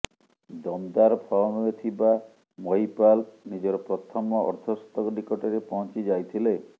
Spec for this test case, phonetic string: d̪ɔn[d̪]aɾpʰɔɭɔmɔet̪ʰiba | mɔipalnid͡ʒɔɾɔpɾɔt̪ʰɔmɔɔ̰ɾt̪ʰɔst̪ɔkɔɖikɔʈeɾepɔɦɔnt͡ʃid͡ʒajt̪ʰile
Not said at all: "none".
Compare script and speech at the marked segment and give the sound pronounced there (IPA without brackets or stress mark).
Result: d̪